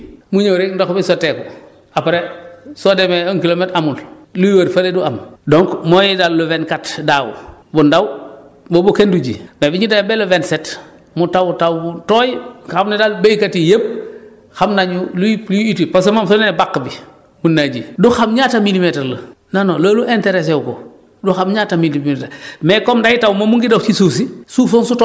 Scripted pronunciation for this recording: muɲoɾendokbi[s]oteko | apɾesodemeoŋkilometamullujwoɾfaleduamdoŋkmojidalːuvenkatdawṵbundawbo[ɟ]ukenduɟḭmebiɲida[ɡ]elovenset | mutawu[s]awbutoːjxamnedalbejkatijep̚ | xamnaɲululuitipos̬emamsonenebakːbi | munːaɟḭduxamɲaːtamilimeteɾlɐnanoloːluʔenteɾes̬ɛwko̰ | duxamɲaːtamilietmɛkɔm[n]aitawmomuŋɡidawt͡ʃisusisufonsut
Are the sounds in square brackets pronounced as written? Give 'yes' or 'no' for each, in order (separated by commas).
yes, no, no, no, no